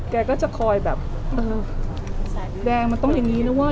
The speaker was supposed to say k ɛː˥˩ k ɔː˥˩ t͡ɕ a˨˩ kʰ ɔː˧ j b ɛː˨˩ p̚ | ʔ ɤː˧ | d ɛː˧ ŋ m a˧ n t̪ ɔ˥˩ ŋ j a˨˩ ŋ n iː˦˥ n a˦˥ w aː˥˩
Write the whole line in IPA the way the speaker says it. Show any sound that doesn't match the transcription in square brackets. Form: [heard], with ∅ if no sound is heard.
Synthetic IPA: k [ɛː˧] k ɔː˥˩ t͡ɕ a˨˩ kʰ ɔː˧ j b ɛː˨˩ p̚ | ʔ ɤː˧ | d ɛː˧ ŋ m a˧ n t̪ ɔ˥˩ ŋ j a˨˩ ŋ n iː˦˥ n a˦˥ w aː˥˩